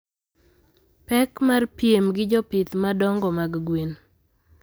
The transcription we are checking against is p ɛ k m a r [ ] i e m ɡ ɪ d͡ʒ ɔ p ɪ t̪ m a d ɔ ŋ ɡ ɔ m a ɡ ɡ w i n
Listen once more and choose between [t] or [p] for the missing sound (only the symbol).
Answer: p